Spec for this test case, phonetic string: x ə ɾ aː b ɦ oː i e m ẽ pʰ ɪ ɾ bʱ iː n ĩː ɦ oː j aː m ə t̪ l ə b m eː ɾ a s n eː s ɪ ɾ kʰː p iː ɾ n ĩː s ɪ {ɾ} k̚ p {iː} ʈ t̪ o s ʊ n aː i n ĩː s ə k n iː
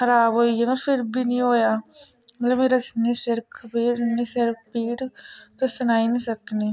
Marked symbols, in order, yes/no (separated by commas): yes, yes